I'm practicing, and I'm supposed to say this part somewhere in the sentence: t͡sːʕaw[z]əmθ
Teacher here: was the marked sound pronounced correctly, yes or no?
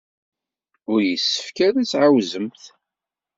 yes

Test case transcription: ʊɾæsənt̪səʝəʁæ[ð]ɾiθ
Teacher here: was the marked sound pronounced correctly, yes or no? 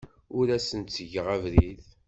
no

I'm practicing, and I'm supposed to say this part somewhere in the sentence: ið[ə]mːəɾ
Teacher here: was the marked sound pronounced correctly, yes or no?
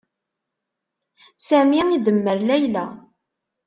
yes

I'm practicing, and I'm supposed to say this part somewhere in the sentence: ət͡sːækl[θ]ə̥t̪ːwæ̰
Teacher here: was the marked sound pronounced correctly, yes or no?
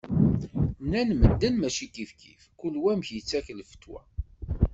no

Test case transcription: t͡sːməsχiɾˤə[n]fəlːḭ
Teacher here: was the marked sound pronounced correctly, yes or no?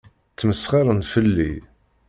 yes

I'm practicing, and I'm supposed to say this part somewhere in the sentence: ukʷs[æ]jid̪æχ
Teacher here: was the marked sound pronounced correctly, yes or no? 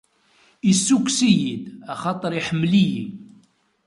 no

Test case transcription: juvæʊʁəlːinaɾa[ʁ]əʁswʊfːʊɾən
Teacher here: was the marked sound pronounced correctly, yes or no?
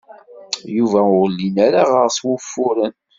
yes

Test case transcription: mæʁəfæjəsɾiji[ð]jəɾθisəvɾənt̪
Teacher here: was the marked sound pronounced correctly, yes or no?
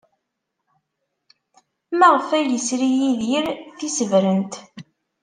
yes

